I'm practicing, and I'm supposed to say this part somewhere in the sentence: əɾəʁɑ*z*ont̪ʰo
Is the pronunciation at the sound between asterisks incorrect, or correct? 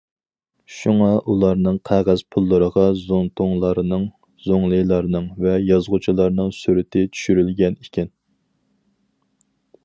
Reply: correct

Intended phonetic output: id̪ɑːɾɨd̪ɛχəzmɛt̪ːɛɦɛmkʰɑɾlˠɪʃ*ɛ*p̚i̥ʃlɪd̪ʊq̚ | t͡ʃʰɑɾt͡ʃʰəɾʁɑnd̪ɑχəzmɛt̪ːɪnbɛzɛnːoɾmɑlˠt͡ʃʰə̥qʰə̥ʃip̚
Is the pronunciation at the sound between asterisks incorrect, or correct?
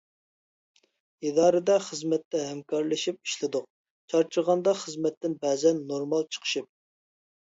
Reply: incorrect: i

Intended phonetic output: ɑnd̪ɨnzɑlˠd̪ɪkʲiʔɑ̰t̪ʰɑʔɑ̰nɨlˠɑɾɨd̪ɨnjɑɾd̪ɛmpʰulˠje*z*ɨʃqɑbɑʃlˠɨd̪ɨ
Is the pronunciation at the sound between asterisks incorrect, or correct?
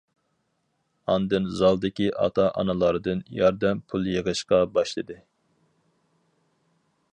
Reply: incorrect: ʁ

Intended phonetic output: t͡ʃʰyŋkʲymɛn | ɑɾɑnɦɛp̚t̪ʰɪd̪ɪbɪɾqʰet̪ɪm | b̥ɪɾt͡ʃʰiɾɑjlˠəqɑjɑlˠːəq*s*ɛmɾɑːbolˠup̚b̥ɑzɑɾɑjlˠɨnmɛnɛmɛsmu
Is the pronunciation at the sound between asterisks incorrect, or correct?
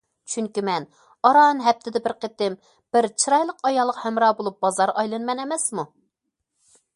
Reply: incorrect: h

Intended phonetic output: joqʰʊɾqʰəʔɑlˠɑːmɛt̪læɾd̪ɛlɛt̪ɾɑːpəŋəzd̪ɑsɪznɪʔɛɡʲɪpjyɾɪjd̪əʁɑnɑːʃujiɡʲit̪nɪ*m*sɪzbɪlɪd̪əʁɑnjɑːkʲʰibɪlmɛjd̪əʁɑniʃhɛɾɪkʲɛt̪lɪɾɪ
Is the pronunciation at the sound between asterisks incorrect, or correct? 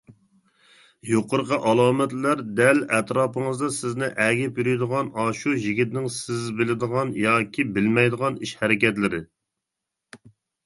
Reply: incorrect: ŋ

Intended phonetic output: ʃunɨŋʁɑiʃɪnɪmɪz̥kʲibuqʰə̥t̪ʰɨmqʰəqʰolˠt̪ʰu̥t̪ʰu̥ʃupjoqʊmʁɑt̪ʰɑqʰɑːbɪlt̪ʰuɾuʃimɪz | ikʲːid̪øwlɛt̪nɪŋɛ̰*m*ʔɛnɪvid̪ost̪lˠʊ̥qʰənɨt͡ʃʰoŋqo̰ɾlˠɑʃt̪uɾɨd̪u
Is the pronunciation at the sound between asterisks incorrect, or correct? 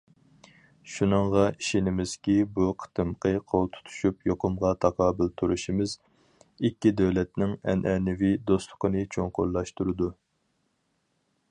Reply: incorrect: n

